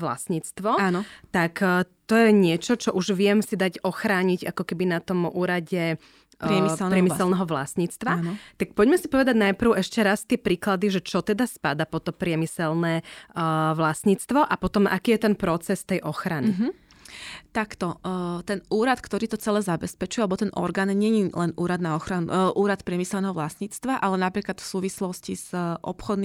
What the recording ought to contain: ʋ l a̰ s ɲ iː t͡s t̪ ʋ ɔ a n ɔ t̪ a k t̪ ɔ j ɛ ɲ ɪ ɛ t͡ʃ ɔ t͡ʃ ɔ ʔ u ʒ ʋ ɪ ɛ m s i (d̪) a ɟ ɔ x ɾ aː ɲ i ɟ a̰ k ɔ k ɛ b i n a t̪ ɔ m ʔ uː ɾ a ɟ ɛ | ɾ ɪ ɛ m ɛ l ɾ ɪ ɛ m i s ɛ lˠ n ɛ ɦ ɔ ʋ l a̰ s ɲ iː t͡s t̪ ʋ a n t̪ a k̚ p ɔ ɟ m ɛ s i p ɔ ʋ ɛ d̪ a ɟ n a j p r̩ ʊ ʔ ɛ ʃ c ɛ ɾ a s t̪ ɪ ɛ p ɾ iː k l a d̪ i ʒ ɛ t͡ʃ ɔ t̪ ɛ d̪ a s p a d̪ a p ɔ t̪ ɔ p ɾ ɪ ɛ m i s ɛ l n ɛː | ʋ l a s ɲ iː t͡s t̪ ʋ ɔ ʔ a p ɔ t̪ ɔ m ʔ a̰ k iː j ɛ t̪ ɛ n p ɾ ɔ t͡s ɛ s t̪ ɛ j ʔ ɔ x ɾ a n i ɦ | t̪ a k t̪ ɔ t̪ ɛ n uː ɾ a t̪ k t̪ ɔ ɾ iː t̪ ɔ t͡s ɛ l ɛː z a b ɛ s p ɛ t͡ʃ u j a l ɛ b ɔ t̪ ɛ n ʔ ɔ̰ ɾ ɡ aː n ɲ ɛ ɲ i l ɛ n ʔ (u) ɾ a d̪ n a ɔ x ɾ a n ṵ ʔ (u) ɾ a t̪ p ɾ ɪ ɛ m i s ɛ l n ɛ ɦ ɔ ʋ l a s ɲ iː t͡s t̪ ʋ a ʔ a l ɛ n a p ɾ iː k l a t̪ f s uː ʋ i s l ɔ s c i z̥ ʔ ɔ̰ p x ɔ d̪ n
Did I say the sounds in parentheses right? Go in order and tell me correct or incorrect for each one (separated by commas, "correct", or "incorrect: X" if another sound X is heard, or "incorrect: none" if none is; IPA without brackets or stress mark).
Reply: correct, incorrect: uː, incorrect: uː